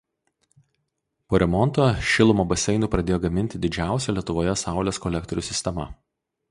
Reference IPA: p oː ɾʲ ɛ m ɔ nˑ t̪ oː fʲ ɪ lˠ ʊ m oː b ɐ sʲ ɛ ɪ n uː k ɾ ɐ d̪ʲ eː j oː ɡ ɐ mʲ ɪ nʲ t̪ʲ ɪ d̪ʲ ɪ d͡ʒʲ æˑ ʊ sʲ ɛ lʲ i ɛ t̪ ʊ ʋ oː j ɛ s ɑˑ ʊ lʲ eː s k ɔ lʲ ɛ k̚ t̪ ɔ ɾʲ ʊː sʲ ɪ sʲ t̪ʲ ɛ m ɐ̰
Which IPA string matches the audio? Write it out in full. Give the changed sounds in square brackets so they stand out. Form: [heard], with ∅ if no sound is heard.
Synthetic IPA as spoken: p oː ɾʲ ɛ m ɔ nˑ t̪ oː [ʃʲ] ɪ lˠ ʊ m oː b ɐ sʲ ɛ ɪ n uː [p] ɾ ɐ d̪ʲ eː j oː ɡ ɐ mʲ ɪ nʲ t̪ʲ ɪ d̪ʲ ɪ d͡ʒʲ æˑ ʊ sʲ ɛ lʲ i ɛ t̪ ʊ ʋ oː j ɛ s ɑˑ ʊ lʲ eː s k ɔ lʲ ɛ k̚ t̪ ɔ ɾʲ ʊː sʲ ɪ sʲ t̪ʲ ɛ m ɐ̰